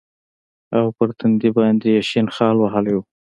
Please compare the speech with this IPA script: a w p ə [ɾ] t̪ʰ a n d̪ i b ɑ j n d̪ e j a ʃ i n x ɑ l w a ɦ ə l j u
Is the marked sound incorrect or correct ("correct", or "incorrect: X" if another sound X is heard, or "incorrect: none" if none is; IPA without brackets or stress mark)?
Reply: correct